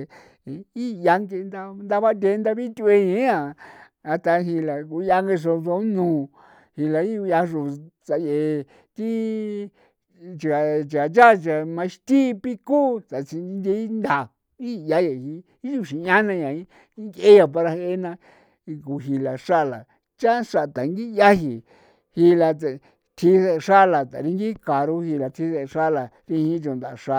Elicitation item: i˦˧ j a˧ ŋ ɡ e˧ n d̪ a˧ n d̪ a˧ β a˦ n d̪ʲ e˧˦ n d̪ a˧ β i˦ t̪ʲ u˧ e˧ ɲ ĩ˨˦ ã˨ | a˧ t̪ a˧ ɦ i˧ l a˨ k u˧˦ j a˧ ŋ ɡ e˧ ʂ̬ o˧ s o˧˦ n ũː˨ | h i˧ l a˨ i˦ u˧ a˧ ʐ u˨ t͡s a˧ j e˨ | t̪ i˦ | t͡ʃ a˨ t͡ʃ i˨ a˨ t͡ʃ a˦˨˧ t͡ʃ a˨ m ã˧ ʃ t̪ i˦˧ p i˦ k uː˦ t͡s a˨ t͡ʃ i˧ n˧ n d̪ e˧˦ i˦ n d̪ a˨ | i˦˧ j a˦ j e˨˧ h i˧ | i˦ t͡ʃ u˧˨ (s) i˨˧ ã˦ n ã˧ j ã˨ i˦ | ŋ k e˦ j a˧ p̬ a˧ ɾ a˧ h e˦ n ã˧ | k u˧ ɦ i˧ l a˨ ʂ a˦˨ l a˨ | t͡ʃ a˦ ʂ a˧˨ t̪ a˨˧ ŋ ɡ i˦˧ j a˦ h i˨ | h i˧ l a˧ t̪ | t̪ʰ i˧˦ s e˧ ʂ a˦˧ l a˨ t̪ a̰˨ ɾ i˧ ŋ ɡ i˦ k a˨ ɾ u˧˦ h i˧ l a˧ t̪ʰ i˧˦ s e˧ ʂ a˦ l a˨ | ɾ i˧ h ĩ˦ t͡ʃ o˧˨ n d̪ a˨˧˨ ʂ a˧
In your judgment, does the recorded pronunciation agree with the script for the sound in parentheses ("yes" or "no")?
no